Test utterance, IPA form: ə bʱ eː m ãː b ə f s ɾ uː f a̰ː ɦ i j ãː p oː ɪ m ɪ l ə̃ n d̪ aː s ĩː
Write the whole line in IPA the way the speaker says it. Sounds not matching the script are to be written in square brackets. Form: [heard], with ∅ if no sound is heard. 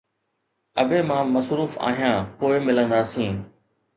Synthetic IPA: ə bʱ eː m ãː [m] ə [∅] s ɾ uː f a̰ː ɦ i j ãː p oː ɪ m ɪ l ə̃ n d̪ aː s ĩː